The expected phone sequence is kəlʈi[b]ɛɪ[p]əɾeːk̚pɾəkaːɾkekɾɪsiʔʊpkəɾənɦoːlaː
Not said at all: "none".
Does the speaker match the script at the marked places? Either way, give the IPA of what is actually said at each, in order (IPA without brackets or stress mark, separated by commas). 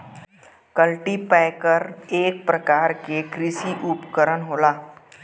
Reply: p, k